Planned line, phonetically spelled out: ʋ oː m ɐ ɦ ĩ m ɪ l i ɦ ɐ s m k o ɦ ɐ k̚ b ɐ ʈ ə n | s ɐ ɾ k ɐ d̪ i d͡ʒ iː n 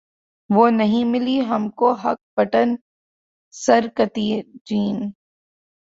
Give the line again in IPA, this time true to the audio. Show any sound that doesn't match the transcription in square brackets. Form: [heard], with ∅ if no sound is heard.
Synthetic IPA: ʋ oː [n] ɐ ɦ ĩ m ɪ l i ɦ ɐ [∅] m k o ɦ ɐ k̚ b ɐ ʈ ə n | s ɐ ɾ k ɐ [t̪] i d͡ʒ iː n